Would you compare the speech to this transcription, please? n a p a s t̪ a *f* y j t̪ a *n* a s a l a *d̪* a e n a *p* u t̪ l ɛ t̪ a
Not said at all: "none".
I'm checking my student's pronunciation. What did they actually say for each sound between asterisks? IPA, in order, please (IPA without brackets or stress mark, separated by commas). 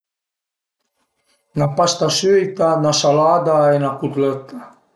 s, n, d̪, k